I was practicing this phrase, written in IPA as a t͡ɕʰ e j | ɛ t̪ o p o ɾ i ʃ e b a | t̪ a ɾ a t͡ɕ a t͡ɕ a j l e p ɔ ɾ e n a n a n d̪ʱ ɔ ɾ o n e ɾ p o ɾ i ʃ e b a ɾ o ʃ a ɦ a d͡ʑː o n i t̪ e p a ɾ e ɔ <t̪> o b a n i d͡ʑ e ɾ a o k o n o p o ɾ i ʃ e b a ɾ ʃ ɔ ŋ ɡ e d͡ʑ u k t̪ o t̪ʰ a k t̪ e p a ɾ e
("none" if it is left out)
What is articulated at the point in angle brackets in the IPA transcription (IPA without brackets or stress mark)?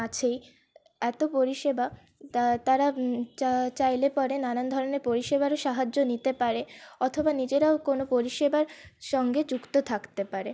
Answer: t̪ʰ